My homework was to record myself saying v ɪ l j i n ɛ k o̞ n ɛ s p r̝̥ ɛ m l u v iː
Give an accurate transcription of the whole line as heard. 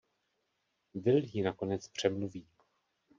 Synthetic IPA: v ɪ l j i n a k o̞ n ɛ t͡s p r̝̥ ɛ m l u v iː